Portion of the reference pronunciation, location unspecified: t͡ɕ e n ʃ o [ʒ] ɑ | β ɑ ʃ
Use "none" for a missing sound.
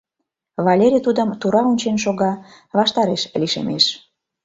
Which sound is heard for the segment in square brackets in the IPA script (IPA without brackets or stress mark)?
ɣ